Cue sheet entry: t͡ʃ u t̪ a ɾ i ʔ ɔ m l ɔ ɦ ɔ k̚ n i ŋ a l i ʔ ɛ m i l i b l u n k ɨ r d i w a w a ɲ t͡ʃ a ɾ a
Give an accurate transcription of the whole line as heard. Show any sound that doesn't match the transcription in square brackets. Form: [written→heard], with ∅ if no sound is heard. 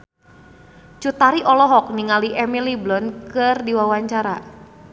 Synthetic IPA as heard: t͡ʃ u t̪ a ɾ i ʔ ɔ [m→∅] l ɔ ɦ ɔ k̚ n i ŋ a l i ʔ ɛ m i l i b l [u→ɔ] n k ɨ r d i w a w a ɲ t͡ʃ a ɾ a